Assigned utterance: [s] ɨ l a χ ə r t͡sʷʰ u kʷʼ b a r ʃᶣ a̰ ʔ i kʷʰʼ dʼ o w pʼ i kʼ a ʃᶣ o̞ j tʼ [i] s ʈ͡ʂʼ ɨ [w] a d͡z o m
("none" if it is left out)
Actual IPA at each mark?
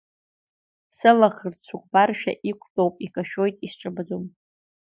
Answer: s, i, b

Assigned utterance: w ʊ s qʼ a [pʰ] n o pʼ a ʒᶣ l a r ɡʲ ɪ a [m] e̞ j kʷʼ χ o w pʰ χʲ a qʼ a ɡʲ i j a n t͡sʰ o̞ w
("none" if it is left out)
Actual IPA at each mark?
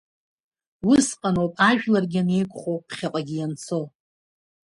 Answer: none, n

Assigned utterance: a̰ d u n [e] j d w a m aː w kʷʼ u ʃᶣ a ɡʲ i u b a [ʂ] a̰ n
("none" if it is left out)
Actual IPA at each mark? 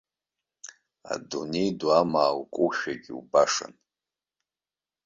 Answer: e, ʂ

